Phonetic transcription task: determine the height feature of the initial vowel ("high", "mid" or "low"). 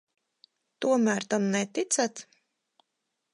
high